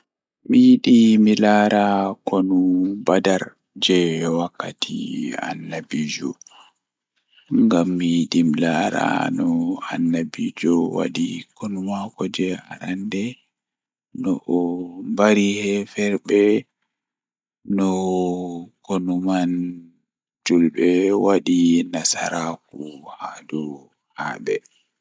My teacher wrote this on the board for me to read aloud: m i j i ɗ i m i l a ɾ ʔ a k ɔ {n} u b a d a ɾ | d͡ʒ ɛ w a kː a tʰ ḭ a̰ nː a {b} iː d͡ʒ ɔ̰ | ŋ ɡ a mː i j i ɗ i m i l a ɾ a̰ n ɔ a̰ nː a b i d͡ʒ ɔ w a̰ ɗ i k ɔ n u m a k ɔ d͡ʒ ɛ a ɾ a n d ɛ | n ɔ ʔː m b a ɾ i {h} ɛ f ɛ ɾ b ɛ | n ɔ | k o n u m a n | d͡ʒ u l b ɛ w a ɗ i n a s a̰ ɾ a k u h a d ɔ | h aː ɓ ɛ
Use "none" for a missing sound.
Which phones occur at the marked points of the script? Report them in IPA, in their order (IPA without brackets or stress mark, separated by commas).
n, b, h